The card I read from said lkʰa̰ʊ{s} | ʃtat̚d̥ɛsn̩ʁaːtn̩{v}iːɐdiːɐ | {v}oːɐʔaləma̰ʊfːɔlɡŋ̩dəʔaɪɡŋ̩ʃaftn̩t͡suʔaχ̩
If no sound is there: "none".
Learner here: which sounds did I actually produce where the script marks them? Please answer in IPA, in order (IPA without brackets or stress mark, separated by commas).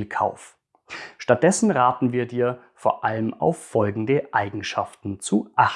f, v, f